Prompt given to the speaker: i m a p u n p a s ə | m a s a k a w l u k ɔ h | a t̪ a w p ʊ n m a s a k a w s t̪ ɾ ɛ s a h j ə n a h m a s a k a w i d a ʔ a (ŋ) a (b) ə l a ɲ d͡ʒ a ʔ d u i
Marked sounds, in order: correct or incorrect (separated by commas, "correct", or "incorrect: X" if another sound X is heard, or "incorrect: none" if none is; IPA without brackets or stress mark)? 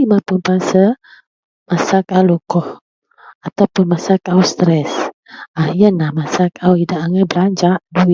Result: correct, correct